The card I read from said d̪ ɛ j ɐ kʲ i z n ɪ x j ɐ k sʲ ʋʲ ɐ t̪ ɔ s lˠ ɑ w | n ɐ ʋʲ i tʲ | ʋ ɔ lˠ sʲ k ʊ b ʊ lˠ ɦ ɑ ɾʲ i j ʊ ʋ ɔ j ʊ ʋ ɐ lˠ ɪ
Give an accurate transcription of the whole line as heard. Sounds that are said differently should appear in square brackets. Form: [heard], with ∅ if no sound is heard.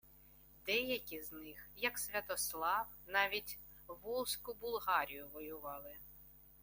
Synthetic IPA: d̪ ɛ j ɐ kʲ i z n ɪ x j ɐ k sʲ ʋʲ ɐ t̪ ɔ s lˠ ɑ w | n [ɑ] ʋʲ i tʲ | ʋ ɔ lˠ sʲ k ʊ b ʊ lˠ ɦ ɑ ɾʲ i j ʊ ʋ ɔ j ʊ ʋ [ɑ] lˠ ɪ